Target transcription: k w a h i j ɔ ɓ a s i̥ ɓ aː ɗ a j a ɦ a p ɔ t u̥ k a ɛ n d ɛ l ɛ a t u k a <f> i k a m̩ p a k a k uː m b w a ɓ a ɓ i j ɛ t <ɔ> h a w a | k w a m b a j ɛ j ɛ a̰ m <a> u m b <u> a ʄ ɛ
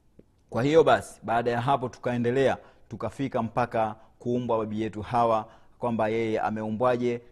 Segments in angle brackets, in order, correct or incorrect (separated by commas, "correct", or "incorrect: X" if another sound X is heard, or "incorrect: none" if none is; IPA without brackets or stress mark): correct, incorrect: u, incorrect: ɛ, incorrect: w